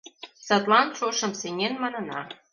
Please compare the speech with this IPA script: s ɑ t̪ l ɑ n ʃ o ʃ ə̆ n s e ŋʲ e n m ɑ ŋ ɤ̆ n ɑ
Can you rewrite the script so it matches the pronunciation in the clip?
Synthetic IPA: s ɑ t̪ l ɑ n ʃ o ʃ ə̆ m s e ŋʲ e n m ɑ n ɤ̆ n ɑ